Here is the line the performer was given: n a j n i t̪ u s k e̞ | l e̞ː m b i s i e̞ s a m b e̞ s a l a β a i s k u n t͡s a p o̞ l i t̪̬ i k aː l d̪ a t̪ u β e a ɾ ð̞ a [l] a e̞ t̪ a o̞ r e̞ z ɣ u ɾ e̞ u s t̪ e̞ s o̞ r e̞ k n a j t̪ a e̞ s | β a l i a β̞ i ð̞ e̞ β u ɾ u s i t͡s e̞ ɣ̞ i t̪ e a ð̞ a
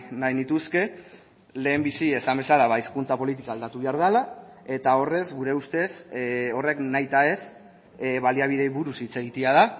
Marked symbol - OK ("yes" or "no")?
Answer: yes